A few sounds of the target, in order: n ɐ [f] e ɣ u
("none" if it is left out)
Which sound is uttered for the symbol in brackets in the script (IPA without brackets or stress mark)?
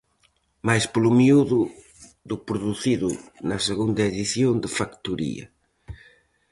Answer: s